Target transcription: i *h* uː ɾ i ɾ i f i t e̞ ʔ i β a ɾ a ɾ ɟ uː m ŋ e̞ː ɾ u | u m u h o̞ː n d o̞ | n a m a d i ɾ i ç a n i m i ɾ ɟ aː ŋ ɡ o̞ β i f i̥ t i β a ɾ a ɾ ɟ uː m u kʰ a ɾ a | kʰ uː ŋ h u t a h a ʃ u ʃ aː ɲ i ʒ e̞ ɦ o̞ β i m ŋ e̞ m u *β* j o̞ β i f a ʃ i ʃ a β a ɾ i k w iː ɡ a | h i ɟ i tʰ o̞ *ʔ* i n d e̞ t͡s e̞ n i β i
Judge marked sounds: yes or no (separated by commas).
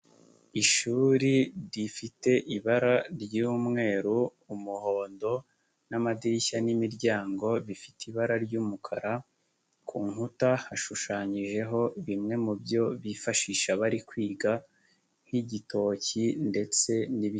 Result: no, no, no